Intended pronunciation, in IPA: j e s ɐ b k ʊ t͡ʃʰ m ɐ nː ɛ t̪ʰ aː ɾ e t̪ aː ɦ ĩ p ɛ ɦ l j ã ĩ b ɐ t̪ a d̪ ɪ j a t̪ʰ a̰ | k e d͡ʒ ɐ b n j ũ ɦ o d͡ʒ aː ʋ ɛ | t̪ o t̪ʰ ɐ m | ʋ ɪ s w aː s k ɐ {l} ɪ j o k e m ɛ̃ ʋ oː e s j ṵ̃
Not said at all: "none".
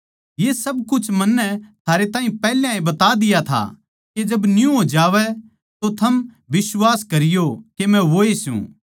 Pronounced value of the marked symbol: ɾ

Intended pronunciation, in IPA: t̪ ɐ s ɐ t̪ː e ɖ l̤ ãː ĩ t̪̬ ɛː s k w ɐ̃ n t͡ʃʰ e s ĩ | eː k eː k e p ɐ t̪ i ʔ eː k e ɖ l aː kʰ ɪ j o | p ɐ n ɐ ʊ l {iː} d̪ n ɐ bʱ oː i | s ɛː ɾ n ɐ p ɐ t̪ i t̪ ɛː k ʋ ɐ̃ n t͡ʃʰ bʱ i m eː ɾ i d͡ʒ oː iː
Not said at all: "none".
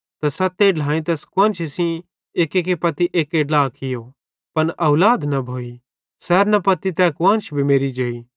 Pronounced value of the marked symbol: aː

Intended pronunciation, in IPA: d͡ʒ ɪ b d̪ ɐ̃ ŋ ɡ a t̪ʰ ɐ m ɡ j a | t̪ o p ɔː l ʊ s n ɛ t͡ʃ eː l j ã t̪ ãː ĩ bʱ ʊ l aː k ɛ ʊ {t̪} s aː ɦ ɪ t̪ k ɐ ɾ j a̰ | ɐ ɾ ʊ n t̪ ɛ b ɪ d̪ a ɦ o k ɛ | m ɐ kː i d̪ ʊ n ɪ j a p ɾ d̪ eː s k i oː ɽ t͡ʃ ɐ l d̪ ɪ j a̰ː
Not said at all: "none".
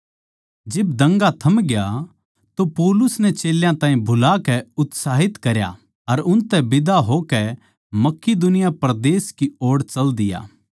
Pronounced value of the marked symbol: t̪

